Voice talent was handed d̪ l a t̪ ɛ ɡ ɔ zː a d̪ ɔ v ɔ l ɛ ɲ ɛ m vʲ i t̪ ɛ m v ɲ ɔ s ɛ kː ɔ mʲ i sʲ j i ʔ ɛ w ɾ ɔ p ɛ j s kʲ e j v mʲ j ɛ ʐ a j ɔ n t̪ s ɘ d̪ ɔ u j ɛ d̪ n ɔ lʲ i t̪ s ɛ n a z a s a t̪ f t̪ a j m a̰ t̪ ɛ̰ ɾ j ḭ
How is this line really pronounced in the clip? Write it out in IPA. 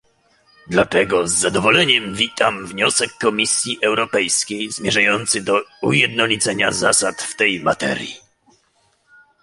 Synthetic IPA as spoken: d̪ l a t̪ ɛ ɡ ɔ zː a d̪ ɔ v ɔ l ɛ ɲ ɛ m vʲ i t̪ a m v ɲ ɔ s ɛ kː ɔ mʲ i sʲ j i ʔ ɛ w ɾ ɔ p ɛ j s kʲ e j z mʲ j ɛ ʐ a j ɔ n t̪ s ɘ d̪ ɔ u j ɛ d̪ n ɔ lʲ i t̪ s ɛ ɲ a z a s a t̪ f t̪ ɛ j m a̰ t̪ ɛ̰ ɾ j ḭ